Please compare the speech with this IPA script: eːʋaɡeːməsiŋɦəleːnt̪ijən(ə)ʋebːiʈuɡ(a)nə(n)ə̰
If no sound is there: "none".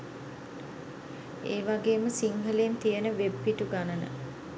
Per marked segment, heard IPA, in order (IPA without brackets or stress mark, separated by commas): ə, a, n